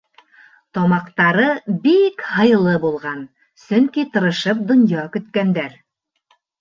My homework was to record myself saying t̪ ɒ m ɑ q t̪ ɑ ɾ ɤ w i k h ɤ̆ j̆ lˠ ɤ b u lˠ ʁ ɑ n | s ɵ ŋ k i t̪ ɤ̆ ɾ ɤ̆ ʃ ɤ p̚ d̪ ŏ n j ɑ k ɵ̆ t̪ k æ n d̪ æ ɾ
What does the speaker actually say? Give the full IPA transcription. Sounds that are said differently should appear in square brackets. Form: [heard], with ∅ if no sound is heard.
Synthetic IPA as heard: t̪ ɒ m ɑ q t̪ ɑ ɾ ɤ [b] i k h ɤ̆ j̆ lˠ ɤ b u lˠ ʁ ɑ n | s ɵ ŋ k i t̪ ɤ̆ ɾ ɤ̆ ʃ ɤ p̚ d̪ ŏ n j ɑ k ɵ̆ t̪ k æ n d̪ æ ɾ